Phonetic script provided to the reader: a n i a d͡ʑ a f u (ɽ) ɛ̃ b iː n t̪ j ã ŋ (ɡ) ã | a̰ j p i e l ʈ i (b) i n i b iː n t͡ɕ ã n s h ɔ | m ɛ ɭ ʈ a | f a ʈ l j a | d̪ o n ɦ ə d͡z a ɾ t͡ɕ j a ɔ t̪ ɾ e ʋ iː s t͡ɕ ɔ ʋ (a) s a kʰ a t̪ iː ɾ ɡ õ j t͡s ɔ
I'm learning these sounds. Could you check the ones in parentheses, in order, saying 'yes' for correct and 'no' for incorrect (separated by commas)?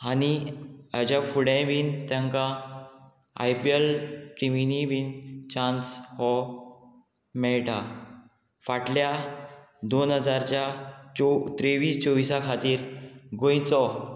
yes, no, no, no